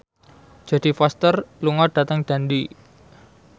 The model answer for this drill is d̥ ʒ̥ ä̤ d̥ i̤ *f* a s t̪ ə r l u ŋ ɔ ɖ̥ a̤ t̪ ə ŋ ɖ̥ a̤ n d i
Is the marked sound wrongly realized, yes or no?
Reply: no